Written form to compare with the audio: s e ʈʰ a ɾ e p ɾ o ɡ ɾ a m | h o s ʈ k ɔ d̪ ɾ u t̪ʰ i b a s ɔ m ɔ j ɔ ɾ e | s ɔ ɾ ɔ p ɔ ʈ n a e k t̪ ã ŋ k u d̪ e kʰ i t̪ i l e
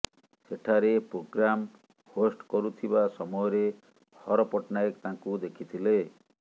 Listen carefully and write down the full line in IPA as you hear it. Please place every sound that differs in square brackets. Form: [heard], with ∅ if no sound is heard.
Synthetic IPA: s e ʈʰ a ɾ e p ɾ o ɡ ɾ a m | h o s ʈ k ɔ [∅] ɾ u t̪ʰ i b a s ɔ m ɔ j ɔ ɾ e | [h] ɔ ɾ ɔ p ɔ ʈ n a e k t̪ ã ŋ k u d̪ e kʰ i [t̪ʰ] i l e

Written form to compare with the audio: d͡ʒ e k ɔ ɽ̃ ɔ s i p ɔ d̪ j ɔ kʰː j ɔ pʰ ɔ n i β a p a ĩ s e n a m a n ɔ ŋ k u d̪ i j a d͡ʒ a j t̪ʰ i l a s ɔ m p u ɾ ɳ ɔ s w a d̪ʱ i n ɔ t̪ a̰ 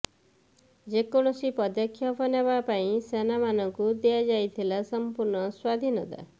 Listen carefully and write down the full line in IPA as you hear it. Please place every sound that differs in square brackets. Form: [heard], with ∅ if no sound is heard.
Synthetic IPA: d͡ʒ e k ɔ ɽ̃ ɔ s i p ɔ d̪ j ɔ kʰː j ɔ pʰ ɔ n [e] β a p a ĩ s e n a m a n ɔ ŋ k u d̪ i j a d͡ʒ a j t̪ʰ i l a s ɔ m p u ɾ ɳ ɔ s w a d̪ʱ i n ɔ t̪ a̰

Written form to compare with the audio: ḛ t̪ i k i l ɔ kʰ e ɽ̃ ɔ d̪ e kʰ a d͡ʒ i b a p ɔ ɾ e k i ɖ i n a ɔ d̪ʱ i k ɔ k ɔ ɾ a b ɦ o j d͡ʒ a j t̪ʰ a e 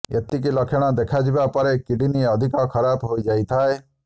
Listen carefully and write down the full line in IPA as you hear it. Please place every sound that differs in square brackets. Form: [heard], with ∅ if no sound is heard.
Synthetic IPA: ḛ t̪ i k i l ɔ kʰ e ɽ̃ ɔ d̪ e kʰ a d͡ʒ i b a p ɔ ɾ e k i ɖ i n [i] ɔ d̪ʱ i k ɔ [kʰ] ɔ ɾ a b ɦ o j d͡ʒ a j t̪ʰ a e

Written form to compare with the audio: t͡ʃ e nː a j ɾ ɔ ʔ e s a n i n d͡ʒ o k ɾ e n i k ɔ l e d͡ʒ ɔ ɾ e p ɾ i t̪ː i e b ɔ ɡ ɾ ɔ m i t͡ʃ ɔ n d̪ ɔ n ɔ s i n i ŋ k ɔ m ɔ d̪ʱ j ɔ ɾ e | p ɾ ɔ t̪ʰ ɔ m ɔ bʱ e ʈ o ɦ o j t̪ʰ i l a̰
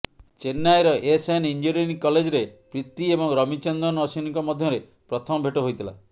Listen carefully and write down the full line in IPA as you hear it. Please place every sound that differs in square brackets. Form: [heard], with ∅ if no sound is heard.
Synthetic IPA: t͡ʃ e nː a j ɾ ɔ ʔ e s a n i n d͡ʒ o [∅] ɾ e n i k ɔ l e d͡ʒ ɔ ɾ e p ɾ i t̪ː i e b ɔ [ŋ] ɾ ɔ m i t͡ʃ ɔ n d̪ ɔ n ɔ s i n i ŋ k ɔ m ɔ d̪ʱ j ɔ ɾ e | p ɾ ɔ t̪ʰ ɔ m ɔ bʱ e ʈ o ɦ o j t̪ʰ i l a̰

